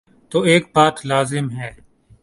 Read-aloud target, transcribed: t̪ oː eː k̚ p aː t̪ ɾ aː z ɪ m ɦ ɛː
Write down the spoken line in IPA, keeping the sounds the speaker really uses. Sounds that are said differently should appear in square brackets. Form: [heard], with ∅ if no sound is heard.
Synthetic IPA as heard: t̪ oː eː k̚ [b] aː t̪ [l] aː z ɪ m ɦ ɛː